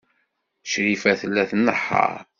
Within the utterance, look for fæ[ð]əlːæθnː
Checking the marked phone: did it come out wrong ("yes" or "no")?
yes